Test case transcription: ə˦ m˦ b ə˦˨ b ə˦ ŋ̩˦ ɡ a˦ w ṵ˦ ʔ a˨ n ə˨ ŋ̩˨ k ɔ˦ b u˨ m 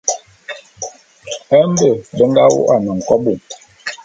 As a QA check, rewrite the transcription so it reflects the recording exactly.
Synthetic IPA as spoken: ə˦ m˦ b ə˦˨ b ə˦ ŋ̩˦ ɡ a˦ w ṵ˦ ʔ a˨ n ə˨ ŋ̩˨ k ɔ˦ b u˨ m